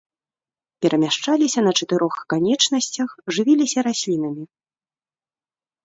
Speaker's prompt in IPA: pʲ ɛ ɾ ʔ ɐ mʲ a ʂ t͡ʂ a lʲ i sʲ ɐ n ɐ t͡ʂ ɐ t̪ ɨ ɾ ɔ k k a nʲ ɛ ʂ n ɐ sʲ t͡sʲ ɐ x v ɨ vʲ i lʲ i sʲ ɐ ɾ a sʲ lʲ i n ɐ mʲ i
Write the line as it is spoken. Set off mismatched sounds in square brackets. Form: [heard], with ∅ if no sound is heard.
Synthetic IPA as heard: pʲ ɛ ɾ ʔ ɐ mʲ a ʂ t͡ʂ a lʲ i sʲ ɐ n ɐ t͡ʂ ɐ t̪ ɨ ɾ ɔ [x] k a nʲ ɛ [t͡ʂ] n ɐ sʲ t͡sʲ ɐ x [ʐ] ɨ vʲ i lʲ i sʲ ɐ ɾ a sʲ lʲ i n ɐ mʲ i